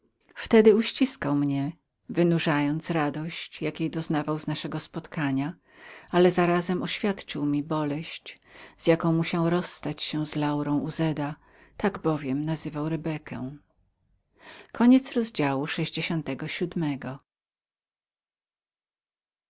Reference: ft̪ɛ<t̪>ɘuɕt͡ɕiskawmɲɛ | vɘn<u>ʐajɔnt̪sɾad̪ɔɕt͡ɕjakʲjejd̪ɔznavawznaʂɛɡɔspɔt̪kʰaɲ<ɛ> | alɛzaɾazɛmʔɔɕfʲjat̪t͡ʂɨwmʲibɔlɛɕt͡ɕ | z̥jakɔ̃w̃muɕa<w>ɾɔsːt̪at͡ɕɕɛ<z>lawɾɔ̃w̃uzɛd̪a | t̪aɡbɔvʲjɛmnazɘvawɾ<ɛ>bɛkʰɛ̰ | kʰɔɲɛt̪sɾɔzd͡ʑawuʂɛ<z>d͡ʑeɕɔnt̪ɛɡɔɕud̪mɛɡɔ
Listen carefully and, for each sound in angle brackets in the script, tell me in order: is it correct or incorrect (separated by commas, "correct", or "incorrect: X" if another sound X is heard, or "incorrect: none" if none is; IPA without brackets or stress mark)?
incorrect: d̪, correct, incorrect: a, correct, correct, correct, incorrect: ʑ